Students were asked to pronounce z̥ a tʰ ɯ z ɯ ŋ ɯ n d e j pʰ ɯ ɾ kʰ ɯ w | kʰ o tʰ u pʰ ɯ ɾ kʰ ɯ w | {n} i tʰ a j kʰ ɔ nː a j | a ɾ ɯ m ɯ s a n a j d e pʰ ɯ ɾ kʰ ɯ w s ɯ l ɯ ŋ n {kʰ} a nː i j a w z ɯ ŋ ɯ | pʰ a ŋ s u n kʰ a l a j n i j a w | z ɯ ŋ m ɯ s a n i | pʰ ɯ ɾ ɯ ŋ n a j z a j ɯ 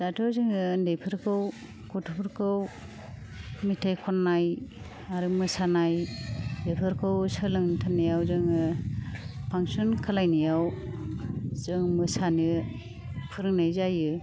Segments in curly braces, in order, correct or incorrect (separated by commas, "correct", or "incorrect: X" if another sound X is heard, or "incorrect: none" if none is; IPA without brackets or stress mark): incorrect: m, incorrect: tʰ